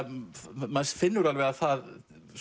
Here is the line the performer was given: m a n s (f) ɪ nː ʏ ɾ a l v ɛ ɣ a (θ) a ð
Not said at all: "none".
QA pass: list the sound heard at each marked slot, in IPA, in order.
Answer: f, θ

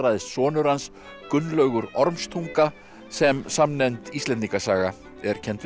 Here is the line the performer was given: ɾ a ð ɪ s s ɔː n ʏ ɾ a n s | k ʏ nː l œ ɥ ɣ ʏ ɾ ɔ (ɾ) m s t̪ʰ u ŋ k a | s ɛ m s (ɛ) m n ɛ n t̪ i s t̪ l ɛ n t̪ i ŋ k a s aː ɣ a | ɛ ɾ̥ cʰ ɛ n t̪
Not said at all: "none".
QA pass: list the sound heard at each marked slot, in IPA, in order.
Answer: ɾ, a

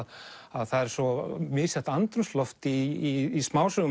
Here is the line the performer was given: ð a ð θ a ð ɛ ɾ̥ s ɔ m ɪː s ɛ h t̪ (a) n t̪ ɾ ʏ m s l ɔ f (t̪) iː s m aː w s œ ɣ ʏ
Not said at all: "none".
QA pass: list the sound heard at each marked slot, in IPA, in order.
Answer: a, t̪

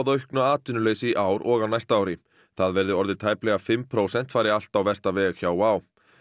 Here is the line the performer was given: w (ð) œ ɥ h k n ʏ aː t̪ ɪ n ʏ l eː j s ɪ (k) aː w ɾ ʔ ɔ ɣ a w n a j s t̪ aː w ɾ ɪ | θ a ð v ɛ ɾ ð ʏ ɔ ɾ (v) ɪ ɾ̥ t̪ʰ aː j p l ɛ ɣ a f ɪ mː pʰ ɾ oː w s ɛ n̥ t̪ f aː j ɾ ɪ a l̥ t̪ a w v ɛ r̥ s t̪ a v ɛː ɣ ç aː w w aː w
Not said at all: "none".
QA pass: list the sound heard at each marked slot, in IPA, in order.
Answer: ð, ʔ, ð

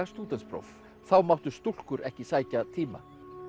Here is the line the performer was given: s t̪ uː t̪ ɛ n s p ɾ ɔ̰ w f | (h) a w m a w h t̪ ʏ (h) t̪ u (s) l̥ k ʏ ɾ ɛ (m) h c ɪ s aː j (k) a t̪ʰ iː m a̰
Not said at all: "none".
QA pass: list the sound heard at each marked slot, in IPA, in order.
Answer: θ, s, none, none, c

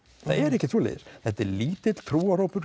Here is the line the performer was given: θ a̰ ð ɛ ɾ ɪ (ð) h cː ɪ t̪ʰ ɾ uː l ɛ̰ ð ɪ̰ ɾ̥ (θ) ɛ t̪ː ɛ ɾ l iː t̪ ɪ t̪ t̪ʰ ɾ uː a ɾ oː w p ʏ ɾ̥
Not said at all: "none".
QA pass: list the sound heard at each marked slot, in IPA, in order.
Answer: none, θ

